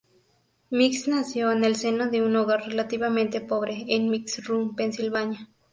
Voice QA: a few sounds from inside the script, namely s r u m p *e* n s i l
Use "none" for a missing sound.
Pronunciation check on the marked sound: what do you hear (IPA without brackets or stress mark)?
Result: e